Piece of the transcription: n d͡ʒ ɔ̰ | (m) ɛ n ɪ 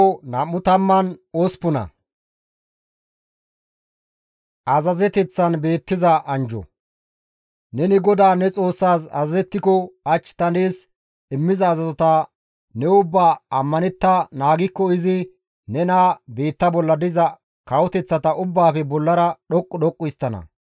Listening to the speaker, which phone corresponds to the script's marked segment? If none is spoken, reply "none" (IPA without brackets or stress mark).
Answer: n